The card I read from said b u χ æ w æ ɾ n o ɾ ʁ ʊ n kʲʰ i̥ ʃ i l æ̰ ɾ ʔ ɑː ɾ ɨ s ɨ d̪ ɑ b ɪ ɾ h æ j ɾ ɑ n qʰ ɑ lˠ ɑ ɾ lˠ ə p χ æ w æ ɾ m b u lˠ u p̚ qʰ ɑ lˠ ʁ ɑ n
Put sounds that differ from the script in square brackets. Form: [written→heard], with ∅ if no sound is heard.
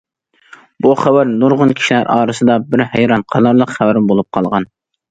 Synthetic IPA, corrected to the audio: b u χ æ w æ ɾ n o ɾ ʁ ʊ n kʲʰ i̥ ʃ i l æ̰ ɾ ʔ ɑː ɾ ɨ s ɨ d̪ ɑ b ɪ ɾ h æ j ɾ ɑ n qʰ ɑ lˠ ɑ ɾ lˠ ə [p→q] χ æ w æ ɾ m b [u→o] lˠ u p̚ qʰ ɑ lˠ ʁ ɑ n